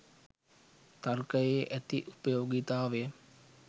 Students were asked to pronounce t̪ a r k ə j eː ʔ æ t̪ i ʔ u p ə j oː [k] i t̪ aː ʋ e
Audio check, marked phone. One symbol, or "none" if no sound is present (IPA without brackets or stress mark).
ɡ